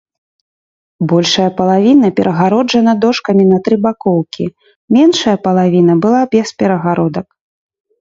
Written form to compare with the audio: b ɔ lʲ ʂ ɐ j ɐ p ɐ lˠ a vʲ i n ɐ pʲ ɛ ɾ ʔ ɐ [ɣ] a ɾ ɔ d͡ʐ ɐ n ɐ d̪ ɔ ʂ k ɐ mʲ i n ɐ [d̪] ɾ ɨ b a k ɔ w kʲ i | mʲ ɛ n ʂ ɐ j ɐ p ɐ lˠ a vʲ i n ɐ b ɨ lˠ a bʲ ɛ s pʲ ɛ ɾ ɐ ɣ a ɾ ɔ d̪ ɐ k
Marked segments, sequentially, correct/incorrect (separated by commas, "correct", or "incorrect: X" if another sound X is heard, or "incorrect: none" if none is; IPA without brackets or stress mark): correct, incorrect: t̪